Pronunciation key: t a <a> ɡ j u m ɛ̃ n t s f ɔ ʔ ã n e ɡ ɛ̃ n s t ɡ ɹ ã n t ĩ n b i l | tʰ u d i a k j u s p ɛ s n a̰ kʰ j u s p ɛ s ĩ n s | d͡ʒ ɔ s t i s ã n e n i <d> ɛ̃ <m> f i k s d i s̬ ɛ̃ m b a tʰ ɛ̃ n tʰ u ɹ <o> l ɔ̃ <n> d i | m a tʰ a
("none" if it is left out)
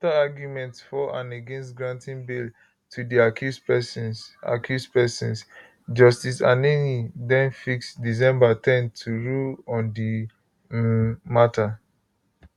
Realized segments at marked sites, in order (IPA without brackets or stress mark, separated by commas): a, d, n, u, n